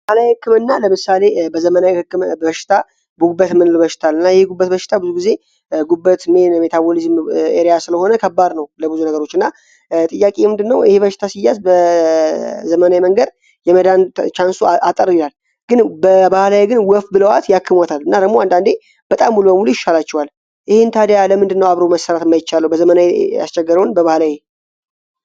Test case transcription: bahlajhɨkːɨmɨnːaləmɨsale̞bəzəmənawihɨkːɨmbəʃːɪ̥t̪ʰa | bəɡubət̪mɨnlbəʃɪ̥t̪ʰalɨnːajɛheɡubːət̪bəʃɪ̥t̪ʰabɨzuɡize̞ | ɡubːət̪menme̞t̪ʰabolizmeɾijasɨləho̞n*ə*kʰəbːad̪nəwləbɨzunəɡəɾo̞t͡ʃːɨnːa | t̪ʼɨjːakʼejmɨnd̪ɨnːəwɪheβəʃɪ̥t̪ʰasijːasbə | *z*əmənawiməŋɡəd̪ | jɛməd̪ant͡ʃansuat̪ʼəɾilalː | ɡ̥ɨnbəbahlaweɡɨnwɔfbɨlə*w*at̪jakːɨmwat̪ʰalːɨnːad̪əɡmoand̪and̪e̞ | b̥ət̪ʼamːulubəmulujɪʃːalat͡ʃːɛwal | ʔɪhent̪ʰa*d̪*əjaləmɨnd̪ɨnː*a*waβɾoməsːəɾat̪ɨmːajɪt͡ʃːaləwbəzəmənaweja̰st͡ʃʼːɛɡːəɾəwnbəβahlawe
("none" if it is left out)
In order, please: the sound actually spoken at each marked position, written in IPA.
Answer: ə, z, w, d̪, ə

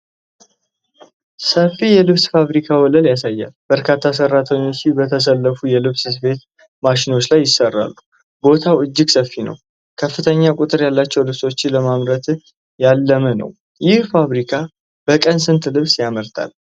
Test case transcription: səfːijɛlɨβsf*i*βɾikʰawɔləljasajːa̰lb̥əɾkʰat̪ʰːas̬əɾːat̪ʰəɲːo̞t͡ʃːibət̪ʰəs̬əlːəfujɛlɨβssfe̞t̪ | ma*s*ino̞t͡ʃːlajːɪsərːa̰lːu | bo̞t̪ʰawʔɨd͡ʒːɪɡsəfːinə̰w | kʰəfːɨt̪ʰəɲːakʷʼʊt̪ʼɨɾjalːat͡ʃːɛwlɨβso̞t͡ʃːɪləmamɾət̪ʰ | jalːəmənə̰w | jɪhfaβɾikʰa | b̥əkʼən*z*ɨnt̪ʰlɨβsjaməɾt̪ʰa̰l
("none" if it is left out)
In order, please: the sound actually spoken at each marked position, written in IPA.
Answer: a, ʃ, s

